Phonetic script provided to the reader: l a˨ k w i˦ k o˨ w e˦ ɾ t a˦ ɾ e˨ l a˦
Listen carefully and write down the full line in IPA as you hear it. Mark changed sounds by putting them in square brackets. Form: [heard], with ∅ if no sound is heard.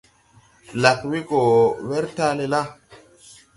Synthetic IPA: l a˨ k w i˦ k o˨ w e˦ ɾ t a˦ [l] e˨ l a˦